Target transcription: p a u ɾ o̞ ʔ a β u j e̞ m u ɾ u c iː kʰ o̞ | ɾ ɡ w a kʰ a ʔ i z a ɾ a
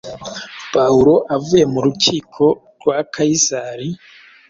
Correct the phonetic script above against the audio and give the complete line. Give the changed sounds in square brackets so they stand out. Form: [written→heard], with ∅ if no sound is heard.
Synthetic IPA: p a u ɾ o̞ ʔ a [β→v] u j e̞ m u ɾ u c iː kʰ o̞ | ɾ ɡ w a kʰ a [ʔ→∅] i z a ɾ [a→i]